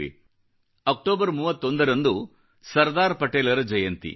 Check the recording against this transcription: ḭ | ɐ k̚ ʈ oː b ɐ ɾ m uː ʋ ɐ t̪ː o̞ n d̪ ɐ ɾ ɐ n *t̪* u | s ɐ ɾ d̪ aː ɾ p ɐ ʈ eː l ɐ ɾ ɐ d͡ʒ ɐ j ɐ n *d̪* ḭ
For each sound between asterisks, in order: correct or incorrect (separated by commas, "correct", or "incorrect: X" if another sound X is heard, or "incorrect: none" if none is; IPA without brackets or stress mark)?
incorrect: d̪, incorrect: t̪